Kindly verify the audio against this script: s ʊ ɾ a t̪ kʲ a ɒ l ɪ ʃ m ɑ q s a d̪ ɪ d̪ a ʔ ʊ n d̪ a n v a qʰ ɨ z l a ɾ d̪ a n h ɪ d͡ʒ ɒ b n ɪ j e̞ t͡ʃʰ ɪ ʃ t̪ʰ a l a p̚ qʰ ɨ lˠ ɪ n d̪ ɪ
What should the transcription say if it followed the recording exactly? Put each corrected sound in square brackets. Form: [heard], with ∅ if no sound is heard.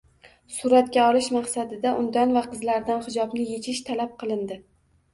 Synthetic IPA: s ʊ ɾ a t̪ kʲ a ɒ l ɪ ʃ m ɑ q s a d̪ ɪ d̪ a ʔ ʊ n d̪ a n v a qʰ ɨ z l a ɾ d̪ a n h ɪ d͡ʒ ɒ b n ɪ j e̞ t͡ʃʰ ɪ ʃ t̪ʰ a l a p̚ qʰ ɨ lˠ ɪ n d̪ ɪ